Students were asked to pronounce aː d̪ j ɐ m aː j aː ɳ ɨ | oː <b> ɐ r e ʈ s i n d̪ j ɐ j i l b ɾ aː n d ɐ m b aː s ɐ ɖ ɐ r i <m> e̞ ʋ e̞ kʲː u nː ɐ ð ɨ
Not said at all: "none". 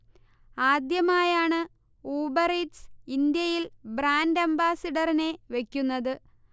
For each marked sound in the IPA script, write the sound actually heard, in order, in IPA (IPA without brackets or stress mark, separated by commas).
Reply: b, n